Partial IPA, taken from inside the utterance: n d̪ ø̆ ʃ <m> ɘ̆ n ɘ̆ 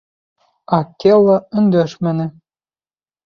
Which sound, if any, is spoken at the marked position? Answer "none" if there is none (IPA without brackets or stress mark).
m